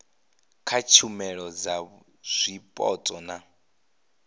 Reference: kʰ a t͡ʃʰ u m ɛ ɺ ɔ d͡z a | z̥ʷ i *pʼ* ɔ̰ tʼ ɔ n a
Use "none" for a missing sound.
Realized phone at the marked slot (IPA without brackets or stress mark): pʼ